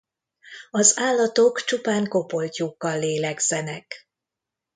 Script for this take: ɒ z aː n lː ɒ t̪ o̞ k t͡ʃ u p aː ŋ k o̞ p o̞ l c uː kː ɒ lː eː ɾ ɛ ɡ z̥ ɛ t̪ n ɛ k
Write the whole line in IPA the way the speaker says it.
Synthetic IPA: ɒ z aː lː ɒ t̪ o̞ k t͡ʃ u p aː ŋ k o̞ p o̞ l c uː kː ɒ lː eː l ɛ ɡ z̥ ɛ n ɛ k